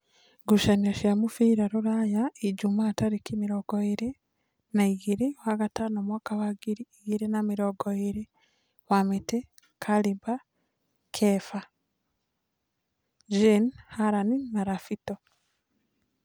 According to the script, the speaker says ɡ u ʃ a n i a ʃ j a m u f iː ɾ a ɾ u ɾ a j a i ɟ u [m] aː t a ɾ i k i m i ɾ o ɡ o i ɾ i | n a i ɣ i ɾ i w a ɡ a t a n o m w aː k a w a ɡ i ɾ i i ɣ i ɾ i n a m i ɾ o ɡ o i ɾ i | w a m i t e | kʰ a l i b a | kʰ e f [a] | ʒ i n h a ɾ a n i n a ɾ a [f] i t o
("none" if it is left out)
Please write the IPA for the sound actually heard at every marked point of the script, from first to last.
m, a, f

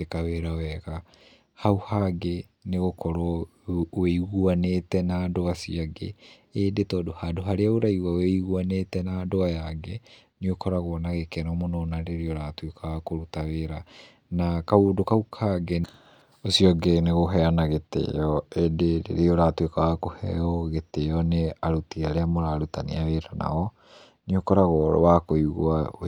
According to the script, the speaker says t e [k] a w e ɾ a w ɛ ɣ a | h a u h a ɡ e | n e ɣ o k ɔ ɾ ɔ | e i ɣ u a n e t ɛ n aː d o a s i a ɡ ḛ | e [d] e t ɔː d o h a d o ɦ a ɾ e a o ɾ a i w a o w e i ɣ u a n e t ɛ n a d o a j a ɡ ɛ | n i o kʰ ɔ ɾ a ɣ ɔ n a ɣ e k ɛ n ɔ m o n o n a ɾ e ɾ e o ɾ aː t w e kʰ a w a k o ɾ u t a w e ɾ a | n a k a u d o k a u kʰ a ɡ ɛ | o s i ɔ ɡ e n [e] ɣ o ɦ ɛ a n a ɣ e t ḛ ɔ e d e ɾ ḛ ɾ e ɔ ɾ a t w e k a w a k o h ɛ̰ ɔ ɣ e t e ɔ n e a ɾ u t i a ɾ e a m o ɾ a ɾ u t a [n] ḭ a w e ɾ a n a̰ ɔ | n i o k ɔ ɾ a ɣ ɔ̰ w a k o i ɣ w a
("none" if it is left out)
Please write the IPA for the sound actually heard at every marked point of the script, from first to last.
k, d, e, n

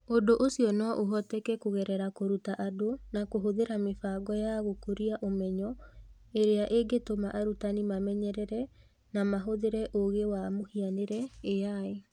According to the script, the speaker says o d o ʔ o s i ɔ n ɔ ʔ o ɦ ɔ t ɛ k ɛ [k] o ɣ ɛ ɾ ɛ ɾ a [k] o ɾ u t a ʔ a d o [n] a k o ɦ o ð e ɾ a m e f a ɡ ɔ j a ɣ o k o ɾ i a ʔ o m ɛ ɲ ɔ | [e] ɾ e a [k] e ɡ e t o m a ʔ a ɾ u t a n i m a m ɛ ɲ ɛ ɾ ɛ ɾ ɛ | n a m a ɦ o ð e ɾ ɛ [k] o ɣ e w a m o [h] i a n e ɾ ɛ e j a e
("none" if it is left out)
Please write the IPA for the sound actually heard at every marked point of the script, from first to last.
k, k, n, e, ʔ, ʔ, h

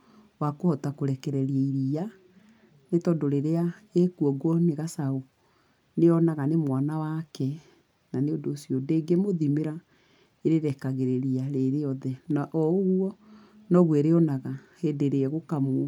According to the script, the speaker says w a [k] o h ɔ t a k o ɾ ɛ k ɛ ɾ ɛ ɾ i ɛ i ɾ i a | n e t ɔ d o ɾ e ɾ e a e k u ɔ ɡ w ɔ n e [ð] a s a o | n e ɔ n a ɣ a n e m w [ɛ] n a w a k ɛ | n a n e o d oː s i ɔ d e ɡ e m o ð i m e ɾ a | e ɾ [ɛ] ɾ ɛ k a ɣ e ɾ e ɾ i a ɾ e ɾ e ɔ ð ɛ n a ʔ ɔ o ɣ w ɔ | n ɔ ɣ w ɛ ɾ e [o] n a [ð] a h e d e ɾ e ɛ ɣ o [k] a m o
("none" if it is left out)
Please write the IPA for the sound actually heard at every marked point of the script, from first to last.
k, ɣ, a, e, ɔ, ɣ, k

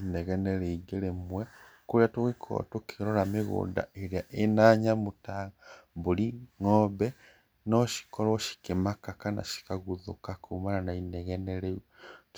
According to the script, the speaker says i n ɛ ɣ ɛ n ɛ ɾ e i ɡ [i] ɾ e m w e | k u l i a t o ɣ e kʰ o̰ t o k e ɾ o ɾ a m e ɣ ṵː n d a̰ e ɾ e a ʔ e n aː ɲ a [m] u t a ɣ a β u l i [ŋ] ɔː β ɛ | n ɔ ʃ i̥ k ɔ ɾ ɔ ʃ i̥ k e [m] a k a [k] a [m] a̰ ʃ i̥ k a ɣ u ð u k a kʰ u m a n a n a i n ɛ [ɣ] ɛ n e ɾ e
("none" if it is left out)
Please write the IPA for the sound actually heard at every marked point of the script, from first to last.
e, m, ŋ, m, k, n, ɣ

